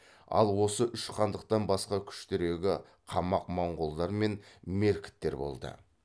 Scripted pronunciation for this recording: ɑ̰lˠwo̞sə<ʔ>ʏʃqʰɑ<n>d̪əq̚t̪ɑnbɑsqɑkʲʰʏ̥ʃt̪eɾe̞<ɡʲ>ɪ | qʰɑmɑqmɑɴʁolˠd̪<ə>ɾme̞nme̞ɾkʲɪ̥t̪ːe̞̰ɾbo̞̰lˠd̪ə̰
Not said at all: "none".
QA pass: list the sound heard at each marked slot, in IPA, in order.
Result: ʔ, n, ɡʲ, ɑ

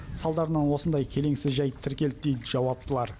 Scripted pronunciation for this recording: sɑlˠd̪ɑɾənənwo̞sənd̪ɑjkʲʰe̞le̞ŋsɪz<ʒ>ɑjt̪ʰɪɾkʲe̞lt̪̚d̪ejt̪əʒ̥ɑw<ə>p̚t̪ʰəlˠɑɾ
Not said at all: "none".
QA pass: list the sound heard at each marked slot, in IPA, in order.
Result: ʒ, ɑ

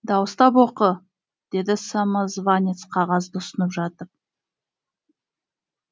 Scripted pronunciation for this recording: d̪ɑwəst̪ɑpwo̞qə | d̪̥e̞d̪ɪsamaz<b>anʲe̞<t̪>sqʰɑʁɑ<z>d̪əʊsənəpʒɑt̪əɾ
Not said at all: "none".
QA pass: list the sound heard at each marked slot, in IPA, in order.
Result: v, t̪, z

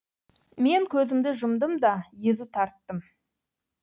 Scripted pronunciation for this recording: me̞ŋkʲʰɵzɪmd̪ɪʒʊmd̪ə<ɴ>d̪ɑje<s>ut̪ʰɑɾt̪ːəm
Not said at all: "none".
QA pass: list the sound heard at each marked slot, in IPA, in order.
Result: m, z

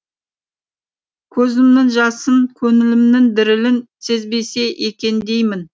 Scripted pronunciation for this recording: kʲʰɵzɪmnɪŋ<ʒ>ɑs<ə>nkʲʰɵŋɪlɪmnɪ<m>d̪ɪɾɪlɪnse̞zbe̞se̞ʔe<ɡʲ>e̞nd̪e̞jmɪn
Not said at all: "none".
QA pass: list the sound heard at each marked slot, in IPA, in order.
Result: ʒ, ə, ŋ, kʲ

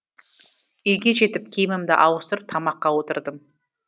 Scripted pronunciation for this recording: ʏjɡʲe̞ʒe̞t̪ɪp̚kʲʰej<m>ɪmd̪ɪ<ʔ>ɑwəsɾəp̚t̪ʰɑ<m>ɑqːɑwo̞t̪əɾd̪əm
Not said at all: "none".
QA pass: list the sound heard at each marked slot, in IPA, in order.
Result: m, ʔ, m

